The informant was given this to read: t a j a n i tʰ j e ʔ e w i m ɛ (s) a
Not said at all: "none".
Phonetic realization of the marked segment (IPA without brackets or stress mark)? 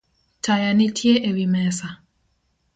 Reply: s